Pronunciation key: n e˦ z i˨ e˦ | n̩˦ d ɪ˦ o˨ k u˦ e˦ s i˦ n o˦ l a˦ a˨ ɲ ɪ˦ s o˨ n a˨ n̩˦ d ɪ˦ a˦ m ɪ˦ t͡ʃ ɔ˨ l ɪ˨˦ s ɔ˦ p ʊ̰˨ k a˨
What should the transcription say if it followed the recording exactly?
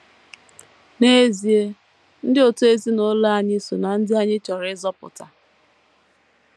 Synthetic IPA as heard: n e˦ z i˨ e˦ | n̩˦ d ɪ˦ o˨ t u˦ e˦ z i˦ n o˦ l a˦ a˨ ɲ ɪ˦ s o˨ n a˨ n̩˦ d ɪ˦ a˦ ɲ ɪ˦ t͡ʃ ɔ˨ ɾ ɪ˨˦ z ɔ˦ p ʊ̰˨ t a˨